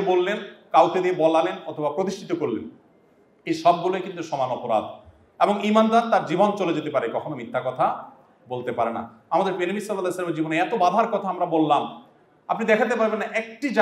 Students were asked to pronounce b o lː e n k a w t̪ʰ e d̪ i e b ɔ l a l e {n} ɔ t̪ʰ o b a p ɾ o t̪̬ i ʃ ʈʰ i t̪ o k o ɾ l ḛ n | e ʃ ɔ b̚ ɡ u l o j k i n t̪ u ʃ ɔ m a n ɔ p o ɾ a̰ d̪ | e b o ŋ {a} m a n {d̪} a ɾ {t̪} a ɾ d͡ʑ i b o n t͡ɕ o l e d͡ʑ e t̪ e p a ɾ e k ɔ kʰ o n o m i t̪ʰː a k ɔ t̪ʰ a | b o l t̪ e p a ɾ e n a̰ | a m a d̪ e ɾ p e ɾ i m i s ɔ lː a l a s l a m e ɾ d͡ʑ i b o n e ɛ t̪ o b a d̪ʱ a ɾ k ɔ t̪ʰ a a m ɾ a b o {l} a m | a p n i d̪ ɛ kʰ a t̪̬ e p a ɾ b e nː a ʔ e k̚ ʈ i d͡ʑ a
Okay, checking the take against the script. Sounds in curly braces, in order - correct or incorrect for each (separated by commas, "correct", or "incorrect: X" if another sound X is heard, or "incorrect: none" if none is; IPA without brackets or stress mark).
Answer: correct, incorrect: i, correct, correct, incorrect: lː